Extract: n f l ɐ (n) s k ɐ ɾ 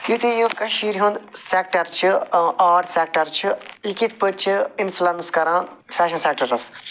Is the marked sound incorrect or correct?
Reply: correct